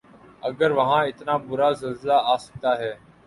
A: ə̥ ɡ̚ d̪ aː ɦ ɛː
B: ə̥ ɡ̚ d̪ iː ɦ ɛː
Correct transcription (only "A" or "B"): A